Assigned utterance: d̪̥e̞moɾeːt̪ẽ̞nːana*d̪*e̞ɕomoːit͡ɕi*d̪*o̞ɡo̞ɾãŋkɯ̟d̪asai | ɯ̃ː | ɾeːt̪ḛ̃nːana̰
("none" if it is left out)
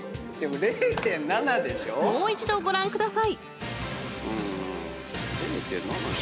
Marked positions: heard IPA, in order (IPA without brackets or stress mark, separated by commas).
d̪, d̪